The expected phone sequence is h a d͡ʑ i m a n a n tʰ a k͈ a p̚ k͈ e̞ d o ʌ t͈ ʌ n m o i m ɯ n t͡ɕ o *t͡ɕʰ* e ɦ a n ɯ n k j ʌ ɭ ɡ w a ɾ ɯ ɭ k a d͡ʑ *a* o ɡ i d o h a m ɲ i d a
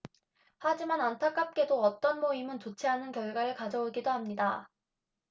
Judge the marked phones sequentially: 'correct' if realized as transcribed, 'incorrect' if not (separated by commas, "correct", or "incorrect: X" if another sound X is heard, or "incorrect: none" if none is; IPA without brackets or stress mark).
correct, incorrect: ʌ